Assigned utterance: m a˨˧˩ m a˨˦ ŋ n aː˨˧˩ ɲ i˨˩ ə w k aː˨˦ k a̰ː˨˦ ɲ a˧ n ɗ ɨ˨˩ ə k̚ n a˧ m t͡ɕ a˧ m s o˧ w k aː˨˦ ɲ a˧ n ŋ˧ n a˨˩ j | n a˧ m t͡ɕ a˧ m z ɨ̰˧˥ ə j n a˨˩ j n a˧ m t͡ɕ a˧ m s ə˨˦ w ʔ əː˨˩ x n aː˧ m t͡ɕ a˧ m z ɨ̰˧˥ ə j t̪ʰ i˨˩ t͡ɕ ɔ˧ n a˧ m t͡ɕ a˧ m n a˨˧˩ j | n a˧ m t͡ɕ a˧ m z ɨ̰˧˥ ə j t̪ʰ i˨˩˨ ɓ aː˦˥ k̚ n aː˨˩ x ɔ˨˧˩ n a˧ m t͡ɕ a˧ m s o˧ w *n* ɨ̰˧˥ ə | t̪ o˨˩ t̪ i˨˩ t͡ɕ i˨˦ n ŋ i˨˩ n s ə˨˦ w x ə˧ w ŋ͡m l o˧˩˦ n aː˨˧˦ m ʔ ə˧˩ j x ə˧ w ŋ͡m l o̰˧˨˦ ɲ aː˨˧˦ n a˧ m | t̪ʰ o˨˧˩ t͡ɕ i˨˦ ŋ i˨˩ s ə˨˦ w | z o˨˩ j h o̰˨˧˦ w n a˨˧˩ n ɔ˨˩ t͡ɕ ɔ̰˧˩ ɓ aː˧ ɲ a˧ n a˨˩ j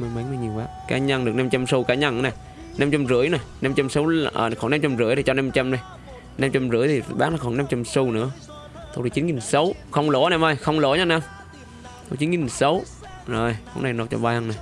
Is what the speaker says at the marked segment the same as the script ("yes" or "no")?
yes